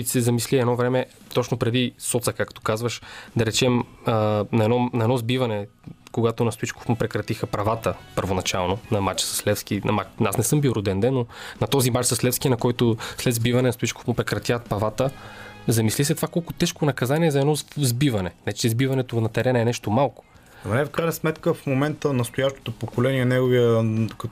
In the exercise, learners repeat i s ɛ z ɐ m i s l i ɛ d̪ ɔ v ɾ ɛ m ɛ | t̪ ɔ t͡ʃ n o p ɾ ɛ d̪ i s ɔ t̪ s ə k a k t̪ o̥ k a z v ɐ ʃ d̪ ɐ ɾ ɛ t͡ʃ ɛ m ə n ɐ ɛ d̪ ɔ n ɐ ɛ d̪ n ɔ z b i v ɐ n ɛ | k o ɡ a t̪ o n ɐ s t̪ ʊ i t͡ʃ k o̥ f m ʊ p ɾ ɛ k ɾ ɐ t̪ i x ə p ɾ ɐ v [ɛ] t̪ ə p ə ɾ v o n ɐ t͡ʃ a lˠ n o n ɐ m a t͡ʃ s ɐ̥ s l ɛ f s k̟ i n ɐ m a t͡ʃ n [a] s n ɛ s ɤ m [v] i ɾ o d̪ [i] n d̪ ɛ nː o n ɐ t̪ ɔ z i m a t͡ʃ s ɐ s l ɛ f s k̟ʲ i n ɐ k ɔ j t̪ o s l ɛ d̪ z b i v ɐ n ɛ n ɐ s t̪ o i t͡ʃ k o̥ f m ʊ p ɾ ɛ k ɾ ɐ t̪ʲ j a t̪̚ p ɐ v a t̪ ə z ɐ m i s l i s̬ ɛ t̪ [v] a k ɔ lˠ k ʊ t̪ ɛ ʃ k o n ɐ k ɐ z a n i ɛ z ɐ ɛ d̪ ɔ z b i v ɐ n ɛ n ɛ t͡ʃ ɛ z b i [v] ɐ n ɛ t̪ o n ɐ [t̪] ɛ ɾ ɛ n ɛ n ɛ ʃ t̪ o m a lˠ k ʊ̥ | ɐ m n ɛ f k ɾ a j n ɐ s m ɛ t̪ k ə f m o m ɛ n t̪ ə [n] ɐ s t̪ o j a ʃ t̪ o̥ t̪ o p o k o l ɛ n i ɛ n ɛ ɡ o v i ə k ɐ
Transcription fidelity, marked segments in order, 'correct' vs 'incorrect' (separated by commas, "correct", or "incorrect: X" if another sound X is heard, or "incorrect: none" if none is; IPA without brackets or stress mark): incorrect: a, correct, incorrect: b, incorrect: ɛ, correct, correct, correct, correct